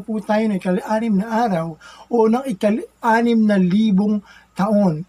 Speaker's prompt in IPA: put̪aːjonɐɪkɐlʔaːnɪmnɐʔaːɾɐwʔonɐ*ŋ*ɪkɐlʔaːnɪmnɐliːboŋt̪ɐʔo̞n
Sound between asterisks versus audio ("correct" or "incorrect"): correct